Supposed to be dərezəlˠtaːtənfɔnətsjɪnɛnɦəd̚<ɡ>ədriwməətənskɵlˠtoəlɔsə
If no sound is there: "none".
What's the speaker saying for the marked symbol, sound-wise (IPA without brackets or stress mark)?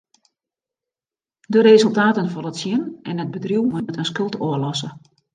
b